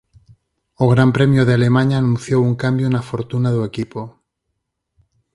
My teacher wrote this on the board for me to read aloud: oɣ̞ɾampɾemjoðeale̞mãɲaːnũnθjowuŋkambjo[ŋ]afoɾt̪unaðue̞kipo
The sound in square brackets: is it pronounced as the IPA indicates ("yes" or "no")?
no